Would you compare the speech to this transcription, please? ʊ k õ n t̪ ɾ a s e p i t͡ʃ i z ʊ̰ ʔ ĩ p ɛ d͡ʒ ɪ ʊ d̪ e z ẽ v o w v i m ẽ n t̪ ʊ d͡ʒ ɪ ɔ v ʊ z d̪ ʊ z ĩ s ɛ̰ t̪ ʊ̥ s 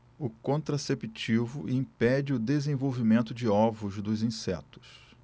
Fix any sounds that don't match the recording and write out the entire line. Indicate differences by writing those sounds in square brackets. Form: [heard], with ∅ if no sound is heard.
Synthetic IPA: ʊ k õ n t̪ ɾ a s e p i t͡ʃ i [v] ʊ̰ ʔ ĩ p ɛ d͡ʒ ɪ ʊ d̪ e z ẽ v o w v i m ẽ n t̪ ʊ d͡ʒ ɪ ɔ v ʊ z d̪ ʊ z ĩ s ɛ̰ t̪ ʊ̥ s

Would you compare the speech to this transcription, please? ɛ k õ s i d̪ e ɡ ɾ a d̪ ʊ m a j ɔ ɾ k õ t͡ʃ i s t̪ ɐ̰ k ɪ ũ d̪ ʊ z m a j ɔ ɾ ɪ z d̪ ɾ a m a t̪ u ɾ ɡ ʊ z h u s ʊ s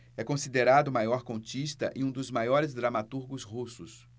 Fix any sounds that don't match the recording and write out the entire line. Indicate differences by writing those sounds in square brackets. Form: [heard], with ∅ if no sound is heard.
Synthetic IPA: ɛ k õ s i d̪ e [∅] ɾ a d̪ ʊ m a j ɔ ɾ k õ t͡ʃ i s t̪ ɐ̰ [ʔ] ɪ ũ d̪ ʊ z m a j ɔ ɾ ɪ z d̪ ɾ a m a t̪ u ɾ ɡ ʊ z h u s ʊ s

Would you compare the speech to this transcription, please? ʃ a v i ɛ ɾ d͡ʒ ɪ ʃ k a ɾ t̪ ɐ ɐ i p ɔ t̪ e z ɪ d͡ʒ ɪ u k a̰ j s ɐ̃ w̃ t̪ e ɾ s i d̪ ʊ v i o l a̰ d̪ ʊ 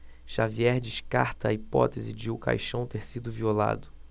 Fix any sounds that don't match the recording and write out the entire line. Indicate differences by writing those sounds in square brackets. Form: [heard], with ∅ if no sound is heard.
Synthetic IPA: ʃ a v i ɛ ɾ d͡ʒ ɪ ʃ k a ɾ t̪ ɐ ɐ i p ɔ t̪ e z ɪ d͡ʒ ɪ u k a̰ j [ʃ] ɐ̃ w̃ t̪ e ɾ s i d̪ ʊ v i o l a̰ d̪ ʊ

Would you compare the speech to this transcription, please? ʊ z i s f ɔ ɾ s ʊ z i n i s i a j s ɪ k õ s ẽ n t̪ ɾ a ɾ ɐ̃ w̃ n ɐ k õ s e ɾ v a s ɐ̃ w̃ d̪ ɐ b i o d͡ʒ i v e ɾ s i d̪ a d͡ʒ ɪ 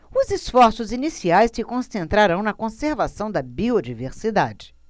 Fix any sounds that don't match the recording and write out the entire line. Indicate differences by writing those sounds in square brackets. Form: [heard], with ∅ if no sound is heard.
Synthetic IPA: ʊ z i s f ɔ ɾ s ʊ z i n i s i a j s ɪ k õ s ẽ n t̪ ɾ a ɾ ɐ̃ w̃ n ɐ k õ s e ɾ v a s ɐ̃ w̃ d̪ ɐ b i o d͡ʒ i v e ɾ s i d̪ a d͡ʒ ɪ

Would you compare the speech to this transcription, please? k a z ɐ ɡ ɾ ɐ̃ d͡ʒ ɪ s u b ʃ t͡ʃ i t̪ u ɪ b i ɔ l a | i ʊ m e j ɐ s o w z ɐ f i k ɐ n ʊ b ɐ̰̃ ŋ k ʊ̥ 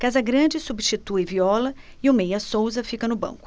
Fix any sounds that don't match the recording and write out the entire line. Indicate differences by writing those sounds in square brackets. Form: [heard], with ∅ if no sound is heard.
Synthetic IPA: k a z ɐ ɡ ɾ ɐ̃ d͡ʒ ɪ s u b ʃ t͡ʃ i t̪ u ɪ [v] i ɔ l [ɐ] | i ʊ m e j ɐ s o w z ɐ f i k ɐ n ʊ b ɐ̰̃ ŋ k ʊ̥

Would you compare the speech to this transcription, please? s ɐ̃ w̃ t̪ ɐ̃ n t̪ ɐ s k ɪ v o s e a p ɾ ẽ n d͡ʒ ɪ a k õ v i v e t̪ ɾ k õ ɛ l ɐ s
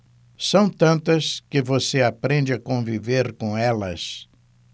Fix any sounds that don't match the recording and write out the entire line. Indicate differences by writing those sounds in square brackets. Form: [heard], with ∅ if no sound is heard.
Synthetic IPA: s ɐ̃ w̃ t̪ ɐ̃ n t̪ ɐ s k ɪ v o s e a p ɾ ẽ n d͡ʒ ɪ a k õ v i v e [∅] ɾ k õ ɛ l ɐ s

